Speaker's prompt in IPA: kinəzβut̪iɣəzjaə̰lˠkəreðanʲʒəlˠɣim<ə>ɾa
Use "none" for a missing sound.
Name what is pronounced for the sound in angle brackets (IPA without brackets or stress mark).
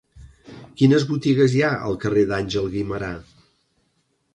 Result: ə